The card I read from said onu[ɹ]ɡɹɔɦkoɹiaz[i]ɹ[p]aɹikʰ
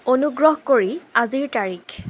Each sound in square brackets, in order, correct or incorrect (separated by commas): incorrect, correct, incorrect